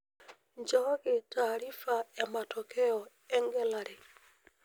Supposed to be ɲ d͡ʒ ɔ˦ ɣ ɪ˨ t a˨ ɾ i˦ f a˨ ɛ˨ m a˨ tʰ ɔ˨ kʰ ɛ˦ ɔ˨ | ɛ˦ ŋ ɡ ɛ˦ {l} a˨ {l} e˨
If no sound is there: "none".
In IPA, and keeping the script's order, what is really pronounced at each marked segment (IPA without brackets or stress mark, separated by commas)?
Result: l, ɾ